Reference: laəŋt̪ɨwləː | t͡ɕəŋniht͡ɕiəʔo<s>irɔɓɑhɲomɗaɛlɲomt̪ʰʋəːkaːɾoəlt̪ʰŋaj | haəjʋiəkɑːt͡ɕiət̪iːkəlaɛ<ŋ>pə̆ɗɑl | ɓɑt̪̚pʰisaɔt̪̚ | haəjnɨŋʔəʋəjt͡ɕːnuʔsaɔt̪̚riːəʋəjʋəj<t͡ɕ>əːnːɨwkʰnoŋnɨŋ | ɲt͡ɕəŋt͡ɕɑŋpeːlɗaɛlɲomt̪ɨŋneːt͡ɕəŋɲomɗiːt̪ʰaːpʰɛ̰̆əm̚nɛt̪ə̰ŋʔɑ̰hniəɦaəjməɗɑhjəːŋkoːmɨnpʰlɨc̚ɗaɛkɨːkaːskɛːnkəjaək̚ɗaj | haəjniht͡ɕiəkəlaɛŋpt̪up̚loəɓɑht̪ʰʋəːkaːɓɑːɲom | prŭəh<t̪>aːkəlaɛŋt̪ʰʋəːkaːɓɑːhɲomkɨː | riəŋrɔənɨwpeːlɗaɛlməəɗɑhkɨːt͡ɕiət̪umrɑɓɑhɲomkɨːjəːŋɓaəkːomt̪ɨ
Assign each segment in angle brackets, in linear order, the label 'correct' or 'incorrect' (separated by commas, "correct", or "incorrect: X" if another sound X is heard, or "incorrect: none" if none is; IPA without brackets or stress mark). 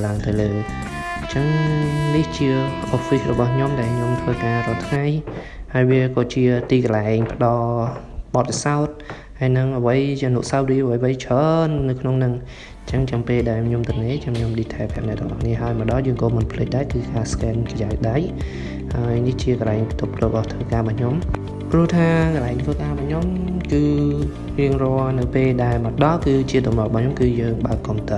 incorrect: f, correct, incorrect: t͡ɕʰ, incorrect: t̪ʰ